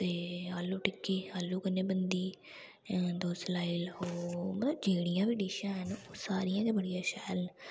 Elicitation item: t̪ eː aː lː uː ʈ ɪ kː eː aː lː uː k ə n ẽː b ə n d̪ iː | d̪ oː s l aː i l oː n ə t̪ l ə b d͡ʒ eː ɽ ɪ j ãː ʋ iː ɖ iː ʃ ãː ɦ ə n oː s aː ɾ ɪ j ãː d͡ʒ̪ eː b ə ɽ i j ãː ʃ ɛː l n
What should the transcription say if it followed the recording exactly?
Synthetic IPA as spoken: t̪ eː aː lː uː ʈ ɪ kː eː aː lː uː k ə n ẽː b ə n d̪ iː | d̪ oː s l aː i l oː m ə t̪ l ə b d͡ʒ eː ɽ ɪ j ãː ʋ iː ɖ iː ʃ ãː ɦ ə n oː s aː ɾ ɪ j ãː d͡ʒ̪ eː b ə ɽ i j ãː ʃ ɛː l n